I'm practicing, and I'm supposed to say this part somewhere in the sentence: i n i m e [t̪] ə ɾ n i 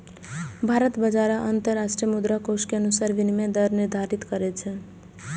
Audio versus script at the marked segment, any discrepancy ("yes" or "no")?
yes